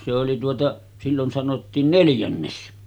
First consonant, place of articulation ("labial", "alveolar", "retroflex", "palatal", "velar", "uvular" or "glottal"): alveolar